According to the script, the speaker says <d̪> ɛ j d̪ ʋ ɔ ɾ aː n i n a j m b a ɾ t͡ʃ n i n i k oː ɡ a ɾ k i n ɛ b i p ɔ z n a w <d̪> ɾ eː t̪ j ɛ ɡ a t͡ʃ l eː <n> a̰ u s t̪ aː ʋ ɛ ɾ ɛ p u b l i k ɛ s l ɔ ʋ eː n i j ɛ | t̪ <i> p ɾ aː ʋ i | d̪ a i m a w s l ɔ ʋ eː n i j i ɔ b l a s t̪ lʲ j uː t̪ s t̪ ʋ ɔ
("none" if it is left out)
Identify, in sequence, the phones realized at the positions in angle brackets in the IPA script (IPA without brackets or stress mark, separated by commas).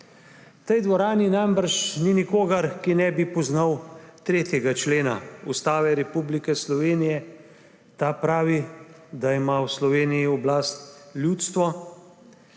t̪, t̪, n, a